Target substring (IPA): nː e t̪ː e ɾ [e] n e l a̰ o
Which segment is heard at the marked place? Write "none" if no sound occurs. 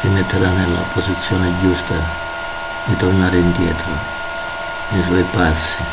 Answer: a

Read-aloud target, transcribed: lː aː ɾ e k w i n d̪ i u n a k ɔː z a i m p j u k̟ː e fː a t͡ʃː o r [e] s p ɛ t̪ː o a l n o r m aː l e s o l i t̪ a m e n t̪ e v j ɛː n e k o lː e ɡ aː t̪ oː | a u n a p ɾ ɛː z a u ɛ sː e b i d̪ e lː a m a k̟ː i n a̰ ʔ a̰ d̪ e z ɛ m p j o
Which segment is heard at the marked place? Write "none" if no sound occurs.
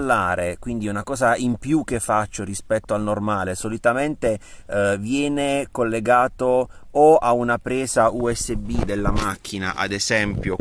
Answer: i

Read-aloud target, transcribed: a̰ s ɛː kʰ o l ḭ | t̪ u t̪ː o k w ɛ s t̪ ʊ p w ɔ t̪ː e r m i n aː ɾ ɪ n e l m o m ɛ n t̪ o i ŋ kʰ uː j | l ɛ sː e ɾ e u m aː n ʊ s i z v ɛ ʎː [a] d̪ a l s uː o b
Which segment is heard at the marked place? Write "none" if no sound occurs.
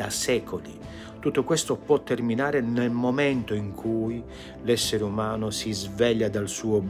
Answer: a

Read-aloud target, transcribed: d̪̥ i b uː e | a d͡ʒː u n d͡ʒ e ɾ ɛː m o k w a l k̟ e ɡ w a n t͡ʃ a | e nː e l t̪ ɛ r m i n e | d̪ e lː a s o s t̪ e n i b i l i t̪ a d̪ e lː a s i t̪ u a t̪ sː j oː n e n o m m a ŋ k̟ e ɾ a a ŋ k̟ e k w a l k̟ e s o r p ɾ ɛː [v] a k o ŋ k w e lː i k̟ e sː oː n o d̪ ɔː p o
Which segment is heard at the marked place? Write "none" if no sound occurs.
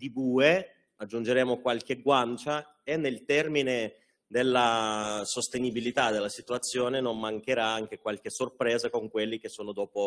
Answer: z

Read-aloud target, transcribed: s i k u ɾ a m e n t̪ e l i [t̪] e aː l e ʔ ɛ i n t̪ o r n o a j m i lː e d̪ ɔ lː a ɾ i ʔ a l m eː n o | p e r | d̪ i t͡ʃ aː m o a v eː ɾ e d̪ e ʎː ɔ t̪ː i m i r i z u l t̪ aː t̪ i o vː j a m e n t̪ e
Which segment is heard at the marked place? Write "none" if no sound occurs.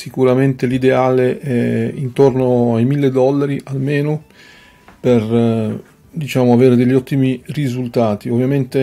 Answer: d̪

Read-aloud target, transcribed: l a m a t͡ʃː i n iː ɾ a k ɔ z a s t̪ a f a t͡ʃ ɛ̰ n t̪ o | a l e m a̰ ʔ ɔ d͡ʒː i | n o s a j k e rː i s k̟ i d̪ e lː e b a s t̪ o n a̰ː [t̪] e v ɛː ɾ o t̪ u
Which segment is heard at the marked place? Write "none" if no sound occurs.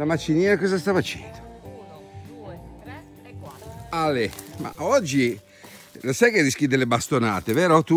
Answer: t̪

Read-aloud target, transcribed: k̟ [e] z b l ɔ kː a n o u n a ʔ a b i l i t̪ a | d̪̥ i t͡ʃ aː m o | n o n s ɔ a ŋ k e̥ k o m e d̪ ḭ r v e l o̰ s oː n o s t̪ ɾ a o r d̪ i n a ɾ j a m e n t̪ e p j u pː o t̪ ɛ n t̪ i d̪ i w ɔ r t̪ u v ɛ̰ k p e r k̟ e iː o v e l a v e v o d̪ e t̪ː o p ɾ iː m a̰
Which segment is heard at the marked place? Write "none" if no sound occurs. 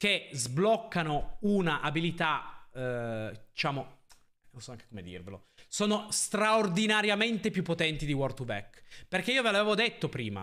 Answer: e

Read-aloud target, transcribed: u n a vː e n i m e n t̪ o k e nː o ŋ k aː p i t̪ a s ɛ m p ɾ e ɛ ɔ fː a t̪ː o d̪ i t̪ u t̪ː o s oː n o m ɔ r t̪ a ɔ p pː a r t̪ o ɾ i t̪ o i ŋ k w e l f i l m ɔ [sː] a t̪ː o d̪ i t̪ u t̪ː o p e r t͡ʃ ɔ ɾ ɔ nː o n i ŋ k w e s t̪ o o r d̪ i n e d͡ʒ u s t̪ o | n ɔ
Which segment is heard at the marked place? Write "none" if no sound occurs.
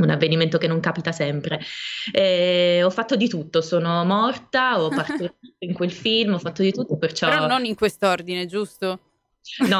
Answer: fː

